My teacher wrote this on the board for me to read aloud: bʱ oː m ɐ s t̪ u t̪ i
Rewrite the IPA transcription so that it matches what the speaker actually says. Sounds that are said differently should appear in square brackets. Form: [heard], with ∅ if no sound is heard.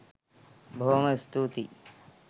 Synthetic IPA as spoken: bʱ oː m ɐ s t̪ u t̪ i